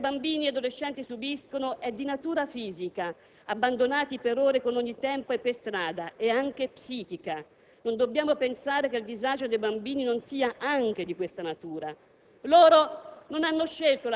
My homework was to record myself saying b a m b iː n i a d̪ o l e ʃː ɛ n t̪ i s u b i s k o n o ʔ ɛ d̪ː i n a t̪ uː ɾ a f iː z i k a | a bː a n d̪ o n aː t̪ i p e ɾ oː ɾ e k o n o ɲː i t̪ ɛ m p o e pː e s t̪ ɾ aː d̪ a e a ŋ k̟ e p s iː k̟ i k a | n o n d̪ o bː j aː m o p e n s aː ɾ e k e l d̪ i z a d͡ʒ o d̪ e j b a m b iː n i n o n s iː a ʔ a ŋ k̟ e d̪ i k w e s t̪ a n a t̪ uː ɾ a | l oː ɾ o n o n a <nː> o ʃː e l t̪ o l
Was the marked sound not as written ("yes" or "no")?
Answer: no